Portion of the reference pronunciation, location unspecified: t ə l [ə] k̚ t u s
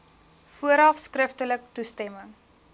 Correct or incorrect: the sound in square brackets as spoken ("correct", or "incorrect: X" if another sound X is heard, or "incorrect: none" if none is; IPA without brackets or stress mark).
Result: correct